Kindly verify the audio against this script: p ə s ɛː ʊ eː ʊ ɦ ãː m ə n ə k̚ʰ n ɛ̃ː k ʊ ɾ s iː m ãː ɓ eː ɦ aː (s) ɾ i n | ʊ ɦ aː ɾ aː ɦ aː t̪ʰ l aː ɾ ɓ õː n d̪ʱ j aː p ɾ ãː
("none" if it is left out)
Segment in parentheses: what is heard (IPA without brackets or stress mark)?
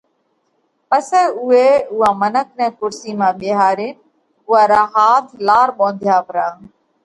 none